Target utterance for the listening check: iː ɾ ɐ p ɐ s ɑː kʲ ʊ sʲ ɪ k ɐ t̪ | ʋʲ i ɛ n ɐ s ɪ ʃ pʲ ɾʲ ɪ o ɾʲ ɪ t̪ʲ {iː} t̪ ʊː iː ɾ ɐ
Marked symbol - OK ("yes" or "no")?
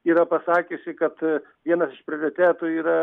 no